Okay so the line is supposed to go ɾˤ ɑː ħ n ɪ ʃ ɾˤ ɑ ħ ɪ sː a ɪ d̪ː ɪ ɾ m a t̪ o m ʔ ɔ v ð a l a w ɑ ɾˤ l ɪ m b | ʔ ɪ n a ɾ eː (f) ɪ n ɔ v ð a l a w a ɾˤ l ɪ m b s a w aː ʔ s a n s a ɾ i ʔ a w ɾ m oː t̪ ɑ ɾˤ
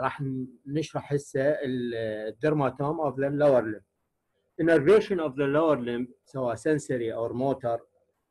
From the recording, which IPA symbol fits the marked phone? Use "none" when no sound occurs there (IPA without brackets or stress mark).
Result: ʃ